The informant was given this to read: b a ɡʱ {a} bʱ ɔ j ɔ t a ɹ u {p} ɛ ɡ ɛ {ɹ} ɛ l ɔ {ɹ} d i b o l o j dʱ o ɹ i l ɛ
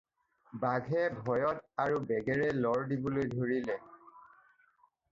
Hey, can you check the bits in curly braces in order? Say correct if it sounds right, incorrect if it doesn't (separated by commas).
incorrect, incorrect, correct, correct